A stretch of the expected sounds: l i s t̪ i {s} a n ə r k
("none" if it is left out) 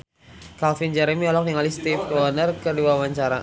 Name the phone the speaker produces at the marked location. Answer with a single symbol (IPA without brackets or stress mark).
f